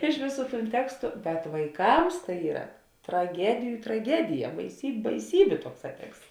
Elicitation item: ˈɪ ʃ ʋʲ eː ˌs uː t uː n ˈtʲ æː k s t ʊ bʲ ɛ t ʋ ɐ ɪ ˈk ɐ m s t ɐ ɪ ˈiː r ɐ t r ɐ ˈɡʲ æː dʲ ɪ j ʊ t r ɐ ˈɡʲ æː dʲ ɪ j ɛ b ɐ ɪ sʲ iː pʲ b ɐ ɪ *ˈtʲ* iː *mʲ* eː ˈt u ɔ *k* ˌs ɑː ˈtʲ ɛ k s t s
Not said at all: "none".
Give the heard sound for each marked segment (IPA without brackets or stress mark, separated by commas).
sʲ, bʲ, k